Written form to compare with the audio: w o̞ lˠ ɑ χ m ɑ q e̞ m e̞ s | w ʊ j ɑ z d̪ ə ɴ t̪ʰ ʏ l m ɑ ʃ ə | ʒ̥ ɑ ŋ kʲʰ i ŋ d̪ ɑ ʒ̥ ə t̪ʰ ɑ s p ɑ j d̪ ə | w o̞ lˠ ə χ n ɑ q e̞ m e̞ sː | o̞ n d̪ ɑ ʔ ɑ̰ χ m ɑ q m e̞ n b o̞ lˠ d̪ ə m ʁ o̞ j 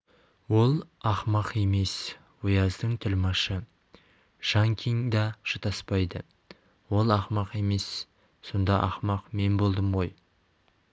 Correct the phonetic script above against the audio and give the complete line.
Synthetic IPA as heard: w o̞ lˠ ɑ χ m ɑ q e̞ m e̞ s | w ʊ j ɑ z d̪ ə ɴ t̪ʰ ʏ l m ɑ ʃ ə | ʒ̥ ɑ ŋ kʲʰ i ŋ d̪ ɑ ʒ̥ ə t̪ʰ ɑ s p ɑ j d̪ ə | w o̞ lˠ ɑ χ m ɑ q e̞ m e̞ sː | o̞ n d̪ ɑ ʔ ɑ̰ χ m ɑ q m e̞ n b o̞ lˠ d̪ ə m ʁ o̞ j

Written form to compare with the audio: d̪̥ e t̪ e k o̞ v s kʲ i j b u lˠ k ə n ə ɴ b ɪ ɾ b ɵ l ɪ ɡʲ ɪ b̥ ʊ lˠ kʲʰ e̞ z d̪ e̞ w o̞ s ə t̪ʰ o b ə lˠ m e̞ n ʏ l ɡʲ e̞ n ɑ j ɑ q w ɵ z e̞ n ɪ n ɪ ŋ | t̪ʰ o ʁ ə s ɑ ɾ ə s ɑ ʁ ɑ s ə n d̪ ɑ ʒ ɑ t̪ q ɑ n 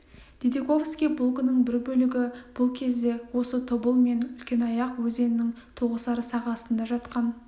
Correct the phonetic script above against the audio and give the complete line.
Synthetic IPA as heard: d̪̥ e d̪ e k o̞ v s kʲ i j b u lˠ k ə n ə ɴ b ɪ ɾ b ɵ l ɪ ɡʲ ɪ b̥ ʊ lˠ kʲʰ e̞ z d̪ e̞ w o̞ s ə t̪ʰ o b ə lˠ m e̞ n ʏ l kʲ e̞ n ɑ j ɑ q w ɵ z e̞ n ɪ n ɪ ŋ | t̪ʰ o ʁ ə s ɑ ɾ ə s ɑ ʁ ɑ s ə n d̪ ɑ ʒ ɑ t̪ q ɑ n

